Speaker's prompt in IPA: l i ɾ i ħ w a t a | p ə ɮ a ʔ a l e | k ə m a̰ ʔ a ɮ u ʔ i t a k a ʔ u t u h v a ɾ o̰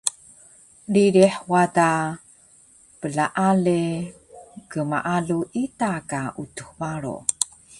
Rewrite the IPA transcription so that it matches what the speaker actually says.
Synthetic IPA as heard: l i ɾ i ħ w a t a | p ə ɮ a ʔ a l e | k ə m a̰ ʔ a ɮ u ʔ i t a k a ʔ u t u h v a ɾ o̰

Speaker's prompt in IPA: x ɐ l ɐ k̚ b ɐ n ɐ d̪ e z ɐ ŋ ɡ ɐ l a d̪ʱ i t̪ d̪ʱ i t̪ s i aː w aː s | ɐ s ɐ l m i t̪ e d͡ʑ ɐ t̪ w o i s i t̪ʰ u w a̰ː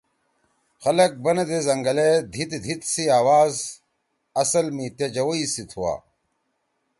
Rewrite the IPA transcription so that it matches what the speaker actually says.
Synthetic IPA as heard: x ɐ l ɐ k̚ b ɐ n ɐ d̪ e z ɐ ŋ ɡ ɐ l e d̪ʱ i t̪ d̪ʱ i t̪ s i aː w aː z | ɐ s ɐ l m i t̪ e d͡ʑ ɐ w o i s i t̪ʰ u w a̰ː

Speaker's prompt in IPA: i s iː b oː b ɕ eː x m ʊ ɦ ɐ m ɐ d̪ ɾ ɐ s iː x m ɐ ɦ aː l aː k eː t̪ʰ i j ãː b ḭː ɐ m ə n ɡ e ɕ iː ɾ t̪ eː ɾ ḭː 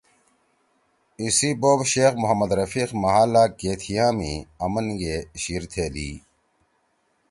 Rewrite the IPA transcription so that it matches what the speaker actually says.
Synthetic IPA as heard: i s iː b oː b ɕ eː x m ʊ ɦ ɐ m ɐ d̪ ɾ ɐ f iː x m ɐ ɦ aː l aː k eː t̪ʰ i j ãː m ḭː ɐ m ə n ɡ e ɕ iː ɾ t̪ʰ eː l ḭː

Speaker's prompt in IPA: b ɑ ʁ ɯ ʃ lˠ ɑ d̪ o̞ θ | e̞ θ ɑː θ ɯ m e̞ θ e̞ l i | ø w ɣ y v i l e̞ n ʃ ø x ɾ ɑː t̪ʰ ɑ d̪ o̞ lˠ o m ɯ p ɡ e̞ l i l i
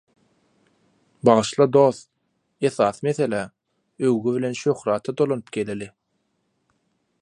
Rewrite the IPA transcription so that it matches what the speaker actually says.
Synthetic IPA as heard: b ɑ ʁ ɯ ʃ lˠ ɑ d̪ o̞ θ | e̞ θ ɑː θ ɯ m e̞ θ e̞ l æ | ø w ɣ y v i l e̞ n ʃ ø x ɾ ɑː t̪ʰ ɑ d̪ o̞ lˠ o n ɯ p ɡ e̞ l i l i

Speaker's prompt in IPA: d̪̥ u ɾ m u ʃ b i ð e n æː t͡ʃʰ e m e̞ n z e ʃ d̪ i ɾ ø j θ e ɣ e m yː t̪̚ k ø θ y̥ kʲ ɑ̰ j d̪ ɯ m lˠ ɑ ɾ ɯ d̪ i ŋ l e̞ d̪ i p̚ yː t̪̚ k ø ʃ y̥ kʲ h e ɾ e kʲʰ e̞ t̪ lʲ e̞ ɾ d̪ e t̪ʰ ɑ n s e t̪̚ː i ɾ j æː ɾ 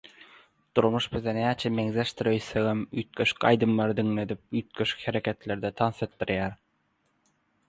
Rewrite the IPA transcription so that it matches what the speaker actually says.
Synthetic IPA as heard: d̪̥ u ɾ m u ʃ b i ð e n æː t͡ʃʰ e m e̞ ŋ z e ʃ t̪ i ɾ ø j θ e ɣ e m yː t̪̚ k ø ʃ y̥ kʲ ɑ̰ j d̪ ɯ m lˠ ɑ ɾ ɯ d̪ i ŋ l e̞ d̪ i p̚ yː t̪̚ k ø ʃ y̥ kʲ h e ɾ e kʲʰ e̞ t̪ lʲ e̞ ɾ d̪ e t̪ʰ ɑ n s e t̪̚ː i ɾ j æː ɾ

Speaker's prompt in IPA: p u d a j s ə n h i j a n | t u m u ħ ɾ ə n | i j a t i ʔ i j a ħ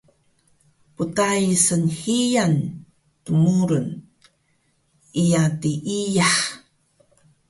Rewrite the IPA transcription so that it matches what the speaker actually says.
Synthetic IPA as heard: p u t a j s ə n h i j a n | t u m u ɾ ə n | i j a t i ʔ i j a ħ

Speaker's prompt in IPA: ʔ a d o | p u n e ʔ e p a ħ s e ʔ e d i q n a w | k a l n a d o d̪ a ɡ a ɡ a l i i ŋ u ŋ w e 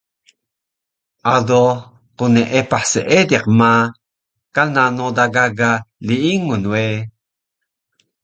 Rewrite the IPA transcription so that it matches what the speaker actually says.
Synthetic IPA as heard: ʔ a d o | q u n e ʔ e p a ħ s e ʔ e d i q m a | k a l n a n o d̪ a ɡ a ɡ a l i i ŋ u n w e

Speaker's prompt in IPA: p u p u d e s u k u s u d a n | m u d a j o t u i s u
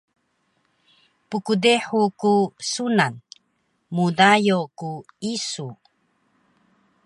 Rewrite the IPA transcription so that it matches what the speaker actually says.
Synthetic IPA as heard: p u k u d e ħ u k u s u n a n | m u d a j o k u i s u

